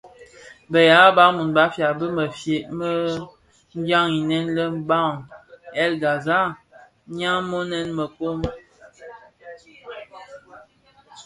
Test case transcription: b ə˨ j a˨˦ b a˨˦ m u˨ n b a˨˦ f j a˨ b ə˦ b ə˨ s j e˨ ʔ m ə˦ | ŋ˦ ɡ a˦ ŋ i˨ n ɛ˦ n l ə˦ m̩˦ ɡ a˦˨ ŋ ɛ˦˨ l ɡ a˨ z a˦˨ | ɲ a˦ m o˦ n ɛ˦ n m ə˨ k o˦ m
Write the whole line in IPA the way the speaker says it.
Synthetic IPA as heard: b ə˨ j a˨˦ b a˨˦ m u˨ n b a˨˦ f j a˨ b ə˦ m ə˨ f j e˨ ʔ m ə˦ | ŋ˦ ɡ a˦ ŋ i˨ n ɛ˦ n l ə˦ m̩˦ b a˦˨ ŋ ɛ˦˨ l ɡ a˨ z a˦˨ | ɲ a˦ m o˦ n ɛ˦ n m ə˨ k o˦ m